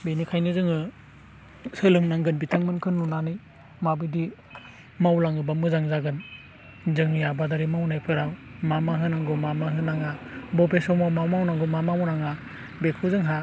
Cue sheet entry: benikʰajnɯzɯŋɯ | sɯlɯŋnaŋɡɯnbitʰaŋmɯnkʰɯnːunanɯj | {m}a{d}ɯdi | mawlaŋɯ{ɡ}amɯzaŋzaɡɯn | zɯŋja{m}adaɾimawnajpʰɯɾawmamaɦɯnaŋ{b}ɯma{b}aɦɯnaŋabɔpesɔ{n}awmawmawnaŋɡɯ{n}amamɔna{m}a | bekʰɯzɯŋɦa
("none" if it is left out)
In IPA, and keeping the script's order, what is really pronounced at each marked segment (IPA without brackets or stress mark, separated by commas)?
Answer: m, b, b, b, ɡ, m, m, m, ŋ